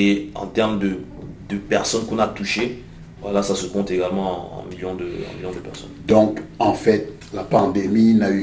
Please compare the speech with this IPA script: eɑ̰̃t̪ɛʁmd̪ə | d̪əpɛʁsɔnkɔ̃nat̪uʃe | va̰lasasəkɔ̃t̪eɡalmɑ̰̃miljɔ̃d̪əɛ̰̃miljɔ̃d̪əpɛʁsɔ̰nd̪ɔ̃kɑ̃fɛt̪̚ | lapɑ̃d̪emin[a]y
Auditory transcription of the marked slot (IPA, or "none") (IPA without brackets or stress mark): a